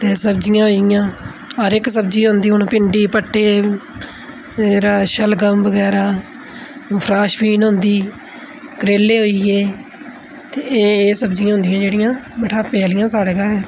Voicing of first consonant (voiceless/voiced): voiceless